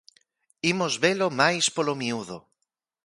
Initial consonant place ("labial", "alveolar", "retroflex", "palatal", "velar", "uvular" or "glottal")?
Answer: labial